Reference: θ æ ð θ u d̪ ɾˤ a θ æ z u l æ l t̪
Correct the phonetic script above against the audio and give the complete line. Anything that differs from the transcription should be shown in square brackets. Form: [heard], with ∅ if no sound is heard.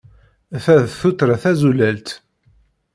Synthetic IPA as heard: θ æ ð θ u [t̪] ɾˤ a θ æ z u l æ l t̪